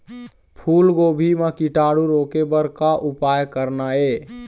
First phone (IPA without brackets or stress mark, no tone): pʰ